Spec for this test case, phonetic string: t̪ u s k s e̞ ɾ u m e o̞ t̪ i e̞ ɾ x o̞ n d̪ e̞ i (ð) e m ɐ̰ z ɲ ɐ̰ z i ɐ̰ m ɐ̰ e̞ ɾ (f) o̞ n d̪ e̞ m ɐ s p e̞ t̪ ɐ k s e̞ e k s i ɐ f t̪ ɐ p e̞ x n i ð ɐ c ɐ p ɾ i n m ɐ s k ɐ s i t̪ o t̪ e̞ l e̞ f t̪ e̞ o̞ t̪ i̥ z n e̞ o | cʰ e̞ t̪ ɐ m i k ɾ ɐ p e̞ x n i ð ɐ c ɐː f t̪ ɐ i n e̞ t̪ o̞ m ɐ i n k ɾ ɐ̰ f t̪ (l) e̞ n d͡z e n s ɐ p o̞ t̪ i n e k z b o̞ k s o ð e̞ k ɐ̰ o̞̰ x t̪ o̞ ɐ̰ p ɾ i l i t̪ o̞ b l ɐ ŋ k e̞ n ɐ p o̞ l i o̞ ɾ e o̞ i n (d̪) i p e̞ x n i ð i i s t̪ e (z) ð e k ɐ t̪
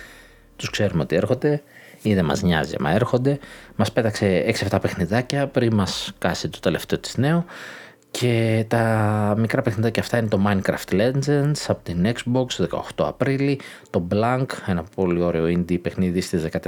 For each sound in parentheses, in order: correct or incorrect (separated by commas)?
correct, incorrect, correct, correct, correct